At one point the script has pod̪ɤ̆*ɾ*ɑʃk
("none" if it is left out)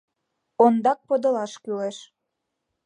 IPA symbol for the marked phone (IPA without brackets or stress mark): l